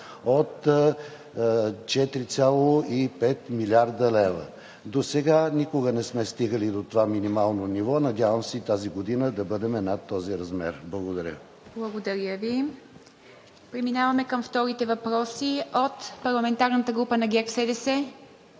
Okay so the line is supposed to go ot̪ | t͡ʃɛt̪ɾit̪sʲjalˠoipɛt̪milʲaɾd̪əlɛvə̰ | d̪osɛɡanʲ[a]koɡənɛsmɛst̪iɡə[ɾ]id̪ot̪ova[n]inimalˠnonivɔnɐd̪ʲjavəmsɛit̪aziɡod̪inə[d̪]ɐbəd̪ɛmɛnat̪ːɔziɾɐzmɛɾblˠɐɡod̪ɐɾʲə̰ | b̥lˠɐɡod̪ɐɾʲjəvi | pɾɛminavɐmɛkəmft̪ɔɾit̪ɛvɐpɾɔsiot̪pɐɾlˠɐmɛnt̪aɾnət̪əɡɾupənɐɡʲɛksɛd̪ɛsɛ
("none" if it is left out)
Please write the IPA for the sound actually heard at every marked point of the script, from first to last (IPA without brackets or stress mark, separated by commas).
i, l, m, d̪